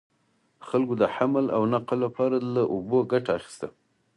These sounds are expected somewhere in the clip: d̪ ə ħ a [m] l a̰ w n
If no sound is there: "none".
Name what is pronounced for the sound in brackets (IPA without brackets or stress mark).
m